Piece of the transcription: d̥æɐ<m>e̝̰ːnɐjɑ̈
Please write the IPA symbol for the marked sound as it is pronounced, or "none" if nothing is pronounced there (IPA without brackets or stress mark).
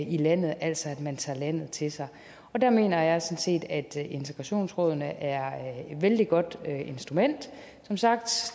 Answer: m